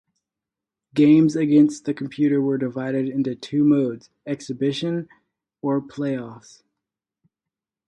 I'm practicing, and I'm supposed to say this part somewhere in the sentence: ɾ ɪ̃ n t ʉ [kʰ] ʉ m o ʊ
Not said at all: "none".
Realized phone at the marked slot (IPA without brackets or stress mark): tʰ